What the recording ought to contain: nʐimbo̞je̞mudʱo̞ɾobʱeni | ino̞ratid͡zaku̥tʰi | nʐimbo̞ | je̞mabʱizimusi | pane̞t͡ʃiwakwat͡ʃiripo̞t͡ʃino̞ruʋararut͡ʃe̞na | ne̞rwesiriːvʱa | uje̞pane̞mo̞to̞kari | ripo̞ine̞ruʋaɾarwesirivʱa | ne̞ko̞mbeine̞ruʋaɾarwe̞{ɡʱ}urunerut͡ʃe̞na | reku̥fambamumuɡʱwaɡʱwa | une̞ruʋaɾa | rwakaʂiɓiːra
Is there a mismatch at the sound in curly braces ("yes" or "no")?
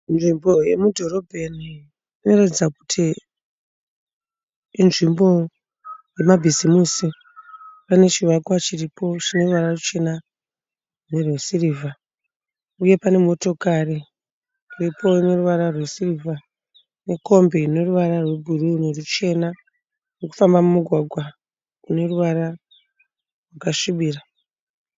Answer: yes